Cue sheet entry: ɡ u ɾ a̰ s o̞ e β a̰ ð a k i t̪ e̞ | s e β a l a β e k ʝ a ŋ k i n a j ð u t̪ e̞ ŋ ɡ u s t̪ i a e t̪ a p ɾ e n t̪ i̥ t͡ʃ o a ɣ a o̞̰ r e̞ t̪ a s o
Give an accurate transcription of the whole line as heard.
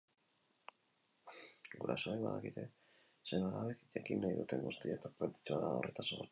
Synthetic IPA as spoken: ɡ u ɾ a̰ s o̞ e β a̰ ð a k i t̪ e̞ | s e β a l a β e k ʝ a k i n a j ð u t̪ e̞ ŋ ɡ u s t̪ i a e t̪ a p ɾ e n t̪ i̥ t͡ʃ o a ð a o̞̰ r e̞ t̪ a s o